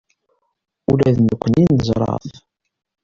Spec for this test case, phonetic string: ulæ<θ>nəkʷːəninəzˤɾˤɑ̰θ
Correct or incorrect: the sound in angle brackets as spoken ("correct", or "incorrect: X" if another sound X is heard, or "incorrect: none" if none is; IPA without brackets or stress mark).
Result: incorrect: ð